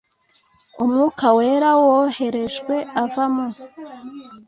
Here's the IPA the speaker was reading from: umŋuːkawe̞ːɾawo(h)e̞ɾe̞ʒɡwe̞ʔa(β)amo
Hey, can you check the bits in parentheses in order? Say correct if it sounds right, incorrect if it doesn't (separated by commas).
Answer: correct, incorrect